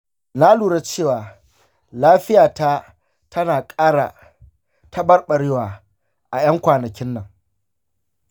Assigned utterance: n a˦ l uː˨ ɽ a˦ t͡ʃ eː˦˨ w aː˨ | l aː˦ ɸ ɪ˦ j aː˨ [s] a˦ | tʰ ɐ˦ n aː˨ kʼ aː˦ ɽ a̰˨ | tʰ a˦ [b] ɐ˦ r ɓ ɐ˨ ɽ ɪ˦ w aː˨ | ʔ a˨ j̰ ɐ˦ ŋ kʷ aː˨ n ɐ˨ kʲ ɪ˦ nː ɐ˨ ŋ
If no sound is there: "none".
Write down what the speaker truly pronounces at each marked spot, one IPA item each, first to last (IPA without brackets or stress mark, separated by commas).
t, b